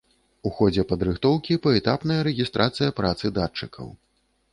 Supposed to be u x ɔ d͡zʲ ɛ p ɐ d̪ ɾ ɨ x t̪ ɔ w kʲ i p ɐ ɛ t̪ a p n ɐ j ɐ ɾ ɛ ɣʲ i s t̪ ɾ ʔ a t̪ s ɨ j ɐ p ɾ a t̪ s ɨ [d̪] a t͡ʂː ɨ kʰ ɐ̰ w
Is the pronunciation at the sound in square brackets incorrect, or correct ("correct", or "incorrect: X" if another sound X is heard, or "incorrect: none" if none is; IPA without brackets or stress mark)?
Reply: correct